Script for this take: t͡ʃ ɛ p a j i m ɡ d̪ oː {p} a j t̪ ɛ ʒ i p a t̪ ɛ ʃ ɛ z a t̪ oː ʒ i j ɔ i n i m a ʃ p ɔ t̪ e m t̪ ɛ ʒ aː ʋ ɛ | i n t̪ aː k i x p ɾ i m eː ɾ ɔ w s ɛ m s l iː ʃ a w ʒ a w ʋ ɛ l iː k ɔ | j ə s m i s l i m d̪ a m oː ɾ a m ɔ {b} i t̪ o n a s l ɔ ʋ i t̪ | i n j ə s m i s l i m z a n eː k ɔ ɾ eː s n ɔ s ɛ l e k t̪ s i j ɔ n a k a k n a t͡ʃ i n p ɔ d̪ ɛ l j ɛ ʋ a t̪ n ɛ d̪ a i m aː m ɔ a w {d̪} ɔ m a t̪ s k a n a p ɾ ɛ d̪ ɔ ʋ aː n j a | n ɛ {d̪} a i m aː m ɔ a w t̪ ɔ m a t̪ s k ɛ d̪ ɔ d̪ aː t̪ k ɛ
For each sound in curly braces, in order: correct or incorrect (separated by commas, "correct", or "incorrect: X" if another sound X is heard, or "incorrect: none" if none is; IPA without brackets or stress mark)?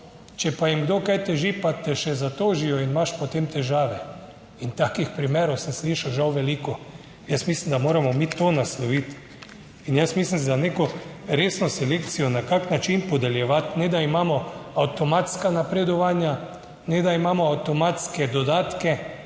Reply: incorrect: k, incorrect: m, incorrect: t̪, correct